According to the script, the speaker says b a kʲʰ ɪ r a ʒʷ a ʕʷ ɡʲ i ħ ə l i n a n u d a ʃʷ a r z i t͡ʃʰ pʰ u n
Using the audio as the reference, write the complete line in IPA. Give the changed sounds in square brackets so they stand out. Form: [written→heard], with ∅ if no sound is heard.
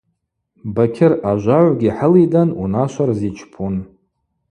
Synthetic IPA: b a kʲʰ ɪ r a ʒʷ a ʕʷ ɡʲ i ħ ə l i [n→d] a n u [d→n] a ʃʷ a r z i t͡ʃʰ pʰ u n